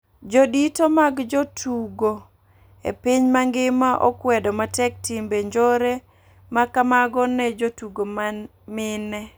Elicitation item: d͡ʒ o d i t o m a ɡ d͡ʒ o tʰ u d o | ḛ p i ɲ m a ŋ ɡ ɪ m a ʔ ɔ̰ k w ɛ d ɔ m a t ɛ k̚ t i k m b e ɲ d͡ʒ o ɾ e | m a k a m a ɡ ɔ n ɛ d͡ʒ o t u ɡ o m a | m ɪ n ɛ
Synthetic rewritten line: d͡ʒ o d i t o m a ɡ d͡ʒ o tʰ u ɡ o | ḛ p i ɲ m a ŋ ɡ ɪ m a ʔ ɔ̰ k w ɛ d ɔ m a t ɛ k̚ t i m b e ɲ d͡ʒ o ɾ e | m a k a m a ɡ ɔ n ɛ d͡ʒ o t u ɡ o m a | m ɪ n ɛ